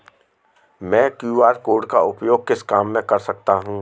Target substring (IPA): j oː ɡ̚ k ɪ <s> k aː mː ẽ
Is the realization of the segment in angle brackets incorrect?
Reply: no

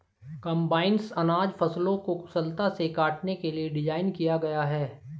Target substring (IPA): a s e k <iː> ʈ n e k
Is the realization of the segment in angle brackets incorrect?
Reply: yes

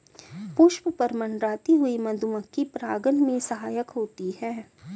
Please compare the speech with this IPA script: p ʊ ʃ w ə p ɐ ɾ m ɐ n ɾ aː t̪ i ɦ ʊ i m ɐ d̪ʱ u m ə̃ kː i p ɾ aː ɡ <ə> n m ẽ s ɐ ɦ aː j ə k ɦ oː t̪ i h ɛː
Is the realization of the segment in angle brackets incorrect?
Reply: no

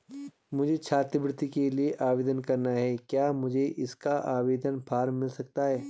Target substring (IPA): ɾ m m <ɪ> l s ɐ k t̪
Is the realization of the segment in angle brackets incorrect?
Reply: no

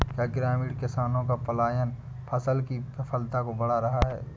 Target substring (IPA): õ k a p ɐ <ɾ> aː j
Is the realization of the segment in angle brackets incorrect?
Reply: yes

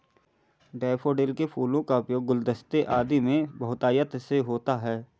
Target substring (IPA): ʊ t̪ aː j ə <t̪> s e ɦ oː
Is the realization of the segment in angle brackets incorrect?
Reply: no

